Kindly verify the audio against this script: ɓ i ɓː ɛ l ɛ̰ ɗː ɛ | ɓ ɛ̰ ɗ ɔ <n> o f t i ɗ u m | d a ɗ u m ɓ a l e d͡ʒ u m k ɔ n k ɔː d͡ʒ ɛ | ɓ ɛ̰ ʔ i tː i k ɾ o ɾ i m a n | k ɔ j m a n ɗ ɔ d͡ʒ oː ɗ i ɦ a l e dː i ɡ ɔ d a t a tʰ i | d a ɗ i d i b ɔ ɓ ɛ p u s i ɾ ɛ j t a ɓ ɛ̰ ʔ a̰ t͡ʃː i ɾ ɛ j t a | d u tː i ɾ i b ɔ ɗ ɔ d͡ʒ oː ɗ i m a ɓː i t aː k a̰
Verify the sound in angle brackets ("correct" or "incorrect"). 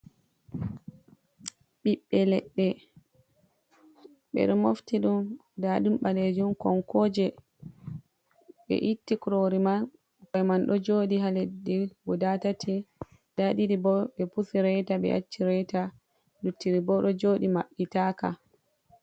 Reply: incorrect